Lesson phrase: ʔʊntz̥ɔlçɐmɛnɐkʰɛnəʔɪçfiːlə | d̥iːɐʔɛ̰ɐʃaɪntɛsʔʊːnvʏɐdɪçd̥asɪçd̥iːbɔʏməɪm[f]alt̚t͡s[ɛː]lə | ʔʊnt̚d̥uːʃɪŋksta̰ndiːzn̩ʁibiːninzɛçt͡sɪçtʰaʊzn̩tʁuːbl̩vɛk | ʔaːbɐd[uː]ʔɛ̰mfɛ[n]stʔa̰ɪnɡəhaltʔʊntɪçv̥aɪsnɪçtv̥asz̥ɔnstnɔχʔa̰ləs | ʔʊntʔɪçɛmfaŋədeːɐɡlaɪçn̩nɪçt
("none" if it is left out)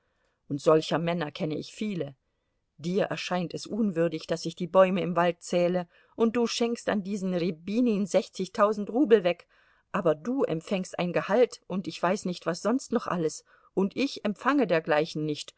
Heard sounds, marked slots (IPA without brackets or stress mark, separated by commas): v, ɛː, uː, ŋ